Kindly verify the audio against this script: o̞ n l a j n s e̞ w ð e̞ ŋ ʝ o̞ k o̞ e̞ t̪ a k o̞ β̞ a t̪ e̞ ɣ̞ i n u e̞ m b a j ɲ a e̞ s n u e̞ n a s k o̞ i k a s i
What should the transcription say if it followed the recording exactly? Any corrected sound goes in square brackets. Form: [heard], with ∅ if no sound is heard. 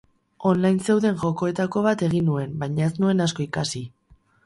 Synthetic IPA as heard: o̞ n l a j n s e̞ w ð e̞ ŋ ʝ o̞ k o̞ e̞ t̪ a k o̞ β̞ a t̪ e̞ ɣ̞ i n u e̞ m b a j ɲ a e̞ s n u e̞ n a s k o̞ i k a s i